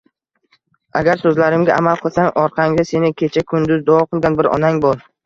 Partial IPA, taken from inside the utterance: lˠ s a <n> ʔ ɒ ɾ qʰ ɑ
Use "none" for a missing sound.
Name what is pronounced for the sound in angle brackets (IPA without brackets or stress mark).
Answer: ŋ